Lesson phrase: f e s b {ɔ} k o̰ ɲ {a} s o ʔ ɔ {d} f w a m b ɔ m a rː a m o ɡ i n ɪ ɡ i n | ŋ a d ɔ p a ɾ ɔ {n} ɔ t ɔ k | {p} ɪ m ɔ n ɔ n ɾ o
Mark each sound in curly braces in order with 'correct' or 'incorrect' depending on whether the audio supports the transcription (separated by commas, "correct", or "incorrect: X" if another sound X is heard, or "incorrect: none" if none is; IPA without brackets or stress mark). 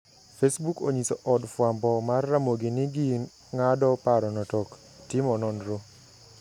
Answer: incorrect: u, incorrect: i, correct, correct, incorrect: t